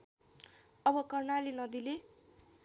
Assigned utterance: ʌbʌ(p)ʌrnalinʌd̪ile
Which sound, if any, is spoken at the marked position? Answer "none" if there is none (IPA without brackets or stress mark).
k